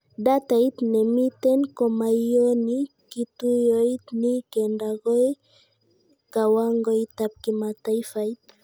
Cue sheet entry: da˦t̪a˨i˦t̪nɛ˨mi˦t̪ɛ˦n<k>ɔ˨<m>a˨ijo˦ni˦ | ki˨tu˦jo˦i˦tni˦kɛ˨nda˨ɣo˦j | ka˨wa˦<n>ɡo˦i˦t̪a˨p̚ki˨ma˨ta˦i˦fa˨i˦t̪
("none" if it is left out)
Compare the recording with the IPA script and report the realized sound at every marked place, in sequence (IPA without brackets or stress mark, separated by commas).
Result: k, m, ŋ